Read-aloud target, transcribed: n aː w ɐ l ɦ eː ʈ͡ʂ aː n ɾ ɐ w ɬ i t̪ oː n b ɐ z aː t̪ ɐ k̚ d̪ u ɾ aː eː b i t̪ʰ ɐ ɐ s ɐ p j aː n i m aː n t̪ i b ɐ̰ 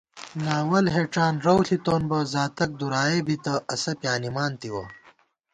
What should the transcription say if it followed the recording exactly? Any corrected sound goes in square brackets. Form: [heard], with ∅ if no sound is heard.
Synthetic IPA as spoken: n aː w ɐ l ɦ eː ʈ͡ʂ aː n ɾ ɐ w ɬ i t̪ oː n b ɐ z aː t̪ ɐ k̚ d̪ u ɾ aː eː b i [t̪] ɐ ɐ s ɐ p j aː n i m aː n t̪ i [w] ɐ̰